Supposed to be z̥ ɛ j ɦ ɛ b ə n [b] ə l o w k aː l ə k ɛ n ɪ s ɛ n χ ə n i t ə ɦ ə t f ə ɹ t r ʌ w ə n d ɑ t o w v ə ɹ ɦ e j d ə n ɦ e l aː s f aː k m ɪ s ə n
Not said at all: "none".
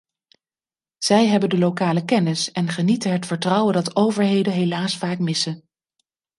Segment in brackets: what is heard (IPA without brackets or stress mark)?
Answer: d